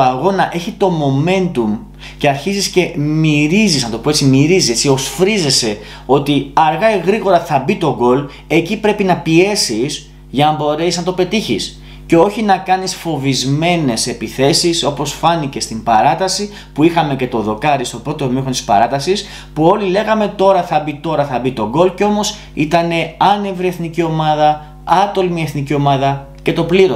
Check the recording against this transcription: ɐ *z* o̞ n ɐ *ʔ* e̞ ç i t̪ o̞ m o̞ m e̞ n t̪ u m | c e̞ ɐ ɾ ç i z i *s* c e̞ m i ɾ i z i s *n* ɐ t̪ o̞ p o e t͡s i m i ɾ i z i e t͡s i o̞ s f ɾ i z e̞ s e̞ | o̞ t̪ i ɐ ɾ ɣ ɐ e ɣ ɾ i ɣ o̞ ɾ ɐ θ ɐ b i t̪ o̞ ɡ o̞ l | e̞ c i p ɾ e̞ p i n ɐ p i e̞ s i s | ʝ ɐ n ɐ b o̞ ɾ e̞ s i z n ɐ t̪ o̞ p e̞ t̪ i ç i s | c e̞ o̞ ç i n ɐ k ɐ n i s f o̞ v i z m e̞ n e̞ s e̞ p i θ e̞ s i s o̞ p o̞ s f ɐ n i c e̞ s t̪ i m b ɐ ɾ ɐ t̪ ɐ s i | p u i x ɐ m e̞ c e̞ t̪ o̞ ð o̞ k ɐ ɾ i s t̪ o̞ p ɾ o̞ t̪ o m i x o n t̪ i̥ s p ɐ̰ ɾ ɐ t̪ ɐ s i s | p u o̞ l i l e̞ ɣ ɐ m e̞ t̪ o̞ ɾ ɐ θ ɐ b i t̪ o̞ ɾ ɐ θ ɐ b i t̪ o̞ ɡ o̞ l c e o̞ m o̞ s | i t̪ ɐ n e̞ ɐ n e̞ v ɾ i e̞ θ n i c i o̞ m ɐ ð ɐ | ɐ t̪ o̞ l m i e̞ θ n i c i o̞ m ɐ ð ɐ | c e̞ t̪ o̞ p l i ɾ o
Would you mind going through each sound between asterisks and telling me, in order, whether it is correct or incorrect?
incorrect: ɣ, correct, correct, correct

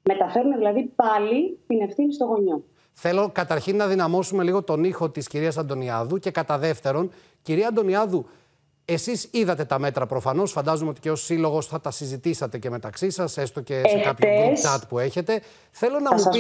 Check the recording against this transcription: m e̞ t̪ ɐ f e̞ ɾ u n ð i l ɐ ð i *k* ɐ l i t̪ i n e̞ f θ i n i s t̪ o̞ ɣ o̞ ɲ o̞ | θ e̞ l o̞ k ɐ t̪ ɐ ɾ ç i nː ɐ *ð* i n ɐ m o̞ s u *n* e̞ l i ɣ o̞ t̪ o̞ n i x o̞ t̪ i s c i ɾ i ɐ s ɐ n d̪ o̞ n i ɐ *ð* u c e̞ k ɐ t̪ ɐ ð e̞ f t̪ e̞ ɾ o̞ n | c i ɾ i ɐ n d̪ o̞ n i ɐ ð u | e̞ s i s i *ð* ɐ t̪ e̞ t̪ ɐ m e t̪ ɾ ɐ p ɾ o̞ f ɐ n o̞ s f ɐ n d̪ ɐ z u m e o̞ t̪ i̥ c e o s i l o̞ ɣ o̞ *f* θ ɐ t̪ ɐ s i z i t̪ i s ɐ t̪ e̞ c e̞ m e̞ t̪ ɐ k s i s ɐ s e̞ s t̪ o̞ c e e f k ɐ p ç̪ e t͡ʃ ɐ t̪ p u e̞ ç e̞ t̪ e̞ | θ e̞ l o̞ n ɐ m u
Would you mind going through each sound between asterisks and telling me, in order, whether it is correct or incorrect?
incorrect: p, correct, incorrect: m, correct, correct, incorrect: s

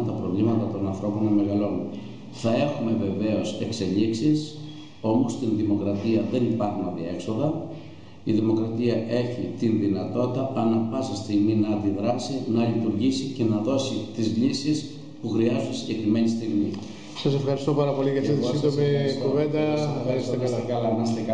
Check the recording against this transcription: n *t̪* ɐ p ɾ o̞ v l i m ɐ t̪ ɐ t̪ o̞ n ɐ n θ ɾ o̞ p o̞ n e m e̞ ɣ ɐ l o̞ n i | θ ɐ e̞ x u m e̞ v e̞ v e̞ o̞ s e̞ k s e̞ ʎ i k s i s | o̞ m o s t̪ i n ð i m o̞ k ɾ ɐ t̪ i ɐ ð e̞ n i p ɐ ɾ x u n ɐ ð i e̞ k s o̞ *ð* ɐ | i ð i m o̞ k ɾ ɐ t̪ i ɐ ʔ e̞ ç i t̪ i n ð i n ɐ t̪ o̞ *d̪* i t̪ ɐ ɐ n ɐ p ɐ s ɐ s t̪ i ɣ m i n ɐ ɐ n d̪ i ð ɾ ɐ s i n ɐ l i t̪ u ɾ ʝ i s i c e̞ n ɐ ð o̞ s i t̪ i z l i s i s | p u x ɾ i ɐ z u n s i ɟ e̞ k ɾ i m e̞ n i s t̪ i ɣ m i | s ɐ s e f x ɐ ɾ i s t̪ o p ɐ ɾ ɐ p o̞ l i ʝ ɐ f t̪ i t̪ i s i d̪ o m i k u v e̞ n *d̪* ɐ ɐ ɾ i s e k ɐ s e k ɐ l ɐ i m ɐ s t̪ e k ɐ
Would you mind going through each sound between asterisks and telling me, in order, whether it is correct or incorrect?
correct, correct, incorrect: t̪, correct

